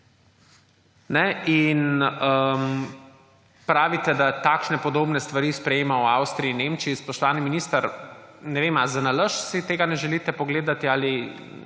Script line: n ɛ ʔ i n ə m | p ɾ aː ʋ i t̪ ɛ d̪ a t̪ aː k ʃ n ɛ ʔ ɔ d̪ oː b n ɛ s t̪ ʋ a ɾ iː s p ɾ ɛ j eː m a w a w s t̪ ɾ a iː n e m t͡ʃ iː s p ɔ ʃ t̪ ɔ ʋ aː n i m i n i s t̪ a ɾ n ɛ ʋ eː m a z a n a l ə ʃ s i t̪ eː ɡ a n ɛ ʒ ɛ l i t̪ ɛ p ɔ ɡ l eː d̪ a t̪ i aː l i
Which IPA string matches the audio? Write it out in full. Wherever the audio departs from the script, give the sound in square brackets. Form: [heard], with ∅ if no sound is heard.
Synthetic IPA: n ɛ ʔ i n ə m | p ɾ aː ʋ i t̪ ɛ d̪ a t̪ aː k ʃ n ɛ [p] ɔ d̪ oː b n ɛ s t̪ ʋ a ɾ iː s p ɾ ɛ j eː m a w a w s t̪ ɾ [i] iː n e m t͡ʃ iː s p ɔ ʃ t̪ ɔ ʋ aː n i m i n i s t̪ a ɾ n ɛ ʋ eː m a z a n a l ə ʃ s i t̪ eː ɡ a n ɛ ʒ ɛ l i t̪ ɛ p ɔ ɡ l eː d̪ a t̪ i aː l i